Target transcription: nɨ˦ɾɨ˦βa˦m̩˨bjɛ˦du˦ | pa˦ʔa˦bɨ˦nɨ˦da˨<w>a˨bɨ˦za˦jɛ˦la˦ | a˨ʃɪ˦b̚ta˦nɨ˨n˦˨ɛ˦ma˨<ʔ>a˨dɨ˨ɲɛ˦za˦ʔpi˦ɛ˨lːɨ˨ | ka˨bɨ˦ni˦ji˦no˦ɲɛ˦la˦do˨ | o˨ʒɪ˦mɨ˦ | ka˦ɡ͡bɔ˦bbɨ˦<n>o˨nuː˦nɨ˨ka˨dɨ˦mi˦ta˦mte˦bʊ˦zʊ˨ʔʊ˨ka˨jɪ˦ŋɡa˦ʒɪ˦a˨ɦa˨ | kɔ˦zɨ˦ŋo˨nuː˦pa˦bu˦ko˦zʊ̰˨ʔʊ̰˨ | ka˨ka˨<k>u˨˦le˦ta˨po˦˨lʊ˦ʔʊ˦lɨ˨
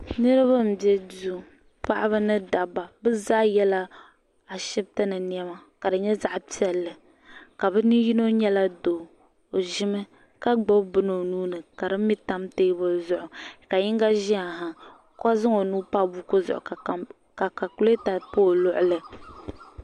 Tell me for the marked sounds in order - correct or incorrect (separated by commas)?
incorrect, incorrect, correct, correct